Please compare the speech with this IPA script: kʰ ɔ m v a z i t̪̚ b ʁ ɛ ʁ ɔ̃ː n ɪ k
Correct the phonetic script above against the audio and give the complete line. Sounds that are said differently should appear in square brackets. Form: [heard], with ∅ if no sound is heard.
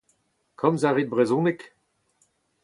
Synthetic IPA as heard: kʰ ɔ m [z] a [ʁ] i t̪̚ b ʁ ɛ [z] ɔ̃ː n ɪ k